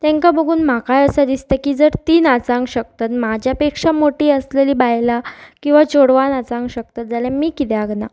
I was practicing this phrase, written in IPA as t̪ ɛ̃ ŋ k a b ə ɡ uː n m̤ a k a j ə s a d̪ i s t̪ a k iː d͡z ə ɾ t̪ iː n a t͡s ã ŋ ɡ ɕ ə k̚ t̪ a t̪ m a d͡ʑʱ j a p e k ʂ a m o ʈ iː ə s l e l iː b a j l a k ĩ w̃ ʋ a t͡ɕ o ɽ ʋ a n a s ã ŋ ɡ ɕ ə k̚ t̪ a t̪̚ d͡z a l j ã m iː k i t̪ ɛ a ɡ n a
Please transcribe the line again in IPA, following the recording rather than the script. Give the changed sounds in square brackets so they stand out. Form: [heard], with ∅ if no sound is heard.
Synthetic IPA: t̪ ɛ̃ ŋ k a b ə ɡ uː n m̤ a k a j ə s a d̪ i s t̪ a k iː d͡z ə ɾ t̪ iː n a t͡s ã ŋ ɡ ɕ ə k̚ t̪ a t̪ m a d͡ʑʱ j a p e k ʂ a m o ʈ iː ə s l e l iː b a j l a k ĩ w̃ ʋ a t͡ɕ o ɽ ʋ a n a [t͡s] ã ŋ ɡ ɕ ə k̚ t̪ a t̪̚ d͡z a l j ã m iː k i t̪ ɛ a ɡ n a